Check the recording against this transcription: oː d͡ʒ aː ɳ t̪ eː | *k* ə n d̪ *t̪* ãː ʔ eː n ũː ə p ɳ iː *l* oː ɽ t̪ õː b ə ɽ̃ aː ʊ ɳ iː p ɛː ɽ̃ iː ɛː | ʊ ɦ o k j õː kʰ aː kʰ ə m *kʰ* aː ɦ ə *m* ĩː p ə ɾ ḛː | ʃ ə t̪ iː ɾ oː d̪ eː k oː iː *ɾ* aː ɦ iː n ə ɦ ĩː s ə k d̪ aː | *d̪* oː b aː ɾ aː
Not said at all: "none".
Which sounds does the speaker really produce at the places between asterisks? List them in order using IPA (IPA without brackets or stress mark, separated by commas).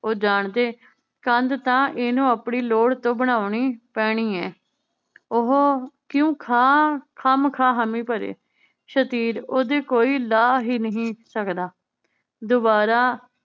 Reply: k, t̪, l, kʰ, m, l, d̪